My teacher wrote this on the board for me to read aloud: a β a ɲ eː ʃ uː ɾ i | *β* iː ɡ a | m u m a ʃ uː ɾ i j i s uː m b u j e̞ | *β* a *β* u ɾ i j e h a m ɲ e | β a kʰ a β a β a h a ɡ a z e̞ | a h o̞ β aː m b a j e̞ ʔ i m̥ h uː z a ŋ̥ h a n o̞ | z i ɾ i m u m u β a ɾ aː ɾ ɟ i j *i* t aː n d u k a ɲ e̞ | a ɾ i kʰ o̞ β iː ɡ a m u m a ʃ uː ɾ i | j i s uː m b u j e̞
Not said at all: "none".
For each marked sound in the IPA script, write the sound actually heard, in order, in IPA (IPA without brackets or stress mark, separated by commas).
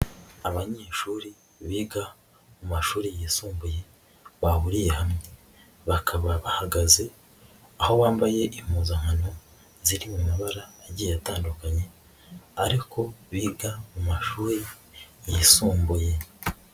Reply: β, β, β, a